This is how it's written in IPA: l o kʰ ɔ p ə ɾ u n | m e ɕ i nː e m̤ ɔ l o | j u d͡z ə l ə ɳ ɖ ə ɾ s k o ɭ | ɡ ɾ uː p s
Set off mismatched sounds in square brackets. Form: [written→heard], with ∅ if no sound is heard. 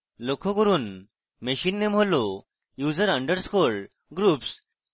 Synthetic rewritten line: l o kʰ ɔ [p→k] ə ɾ [u→uː] n | m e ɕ i nː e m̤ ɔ l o | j u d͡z ə [l→ɾ] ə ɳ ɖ ə ɾ s k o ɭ | ɡ ɾ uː p s